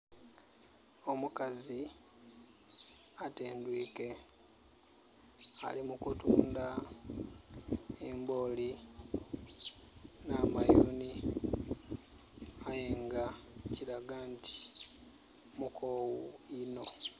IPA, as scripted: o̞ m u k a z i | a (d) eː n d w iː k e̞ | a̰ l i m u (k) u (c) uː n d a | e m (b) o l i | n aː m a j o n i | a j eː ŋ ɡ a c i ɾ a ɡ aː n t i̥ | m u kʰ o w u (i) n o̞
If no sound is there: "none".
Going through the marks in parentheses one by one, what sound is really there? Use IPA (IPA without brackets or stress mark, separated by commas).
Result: t, k, t, b, i